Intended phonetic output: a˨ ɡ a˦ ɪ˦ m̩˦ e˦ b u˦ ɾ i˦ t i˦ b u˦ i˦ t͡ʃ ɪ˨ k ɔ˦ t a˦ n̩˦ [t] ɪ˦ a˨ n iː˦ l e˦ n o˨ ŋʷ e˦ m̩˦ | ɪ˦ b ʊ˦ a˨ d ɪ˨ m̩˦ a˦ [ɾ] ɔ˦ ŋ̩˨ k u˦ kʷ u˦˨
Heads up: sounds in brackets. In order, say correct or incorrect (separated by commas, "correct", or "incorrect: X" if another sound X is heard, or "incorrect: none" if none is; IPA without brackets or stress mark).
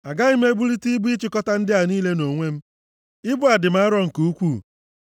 incorrect: d, correct